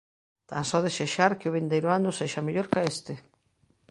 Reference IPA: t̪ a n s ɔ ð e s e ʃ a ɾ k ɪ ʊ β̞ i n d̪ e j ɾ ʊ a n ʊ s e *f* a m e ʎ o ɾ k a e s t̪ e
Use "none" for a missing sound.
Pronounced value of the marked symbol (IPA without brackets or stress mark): ʃ